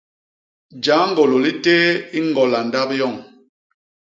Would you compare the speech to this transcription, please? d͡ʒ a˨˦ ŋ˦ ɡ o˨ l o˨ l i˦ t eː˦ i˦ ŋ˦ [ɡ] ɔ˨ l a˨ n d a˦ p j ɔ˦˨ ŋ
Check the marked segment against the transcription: correct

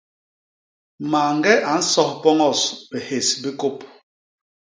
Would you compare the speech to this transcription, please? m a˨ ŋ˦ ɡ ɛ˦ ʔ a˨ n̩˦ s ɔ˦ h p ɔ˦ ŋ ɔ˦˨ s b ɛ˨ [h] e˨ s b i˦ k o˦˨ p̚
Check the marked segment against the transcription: correct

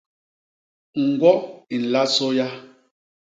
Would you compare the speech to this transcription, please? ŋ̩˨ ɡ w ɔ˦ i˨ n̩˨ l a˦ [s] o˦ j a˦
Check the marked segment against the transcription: correct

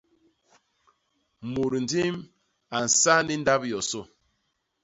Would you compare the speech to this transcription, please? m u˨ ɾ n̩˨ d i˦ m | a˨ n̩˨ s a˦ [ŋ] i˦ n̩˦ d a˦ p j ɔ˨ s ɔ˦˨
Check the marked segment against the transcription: incorrect: n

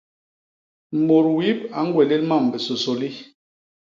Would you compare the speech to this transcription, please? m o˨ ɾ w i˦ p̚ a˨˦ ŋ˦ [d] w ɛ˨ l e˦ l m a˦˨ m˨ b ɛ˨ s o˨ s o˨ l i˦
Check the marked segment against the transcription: incorrect: ɡ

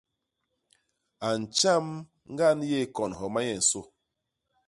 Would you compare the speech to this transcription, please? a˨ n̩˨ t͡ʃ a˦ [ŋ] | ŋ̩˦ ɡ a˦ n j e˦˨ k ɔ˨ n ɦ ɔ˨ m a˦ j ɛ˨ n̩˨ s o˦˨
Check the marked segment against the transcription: incorrect: m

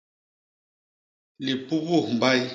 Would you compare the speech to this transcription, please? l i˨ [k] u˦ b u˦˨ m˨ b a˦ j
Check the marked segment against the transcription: incorrect: p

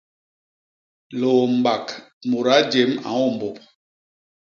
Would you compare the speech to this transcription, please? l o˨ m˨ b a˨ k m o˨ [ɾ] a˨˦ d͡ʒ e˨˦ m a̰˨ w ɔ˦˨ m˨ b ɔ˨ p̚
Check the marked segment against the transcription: correct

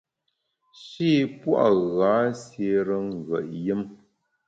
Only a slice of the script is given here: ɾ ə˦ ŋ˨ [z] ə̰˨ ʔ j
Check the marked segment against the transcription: incorrect: ɣ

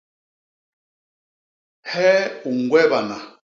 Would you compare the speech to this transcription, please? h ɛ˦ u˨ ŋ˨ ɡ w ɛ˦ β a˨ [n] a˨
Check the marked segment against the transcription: correct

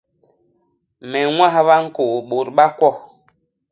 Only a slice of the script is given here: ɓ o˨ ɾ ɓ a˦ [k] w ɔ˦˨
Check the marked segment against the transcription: correct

